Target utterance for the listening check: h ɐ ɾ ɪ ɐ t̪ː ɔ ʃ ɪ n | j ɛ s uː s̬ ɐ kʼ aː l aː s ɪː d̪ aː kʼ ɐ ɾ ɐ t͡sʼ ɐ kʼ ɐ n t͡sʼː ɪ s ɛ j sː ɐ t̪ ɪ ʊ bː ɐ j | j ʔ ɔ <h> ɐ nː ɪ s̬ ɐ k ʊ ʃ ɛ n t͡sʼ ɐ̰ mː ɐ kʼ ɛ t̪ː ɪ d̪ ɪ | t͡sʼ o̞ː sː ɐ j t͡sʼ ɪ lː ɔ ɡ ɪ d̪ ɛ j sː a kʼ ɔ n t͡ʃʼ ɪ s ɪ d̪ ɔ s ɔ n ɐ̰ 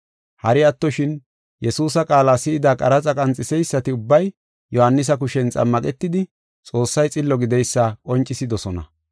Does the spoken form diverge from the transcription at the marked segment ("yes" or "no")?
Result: no